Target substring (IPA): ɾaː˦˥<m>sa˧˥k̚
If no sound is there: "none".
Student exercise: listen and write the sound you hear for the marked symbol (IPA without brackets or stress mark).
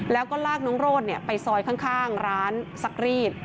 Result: n